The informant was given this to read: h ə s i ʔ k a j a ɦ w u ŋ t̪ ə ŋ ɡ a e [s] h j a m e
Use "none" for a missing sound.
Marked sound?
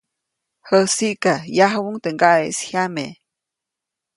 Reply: s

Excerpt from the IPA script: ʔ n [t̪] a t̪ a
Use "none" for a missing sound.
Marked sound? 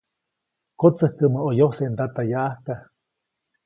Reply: d̪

